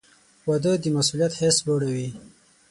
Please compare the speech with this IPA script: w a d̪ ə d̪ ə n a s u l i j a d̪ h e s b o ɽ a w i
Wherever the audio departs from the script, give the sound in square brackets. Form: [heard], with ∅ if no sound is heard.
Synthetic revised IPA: w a d̪ ə d̪ ə [m] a s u l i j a [t̪] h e s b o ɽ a w i